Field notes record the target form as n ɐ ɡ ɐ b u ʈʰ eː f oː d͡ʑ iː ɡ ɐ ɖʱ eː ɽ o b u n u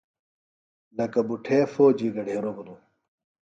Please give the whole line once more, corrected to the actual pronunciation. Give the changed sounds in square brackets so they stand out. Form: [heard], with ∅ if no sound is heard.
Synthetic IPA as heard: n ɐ [k] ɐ b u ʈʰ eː f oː d͡ʑ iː ɡ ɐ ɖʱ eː [ɾ] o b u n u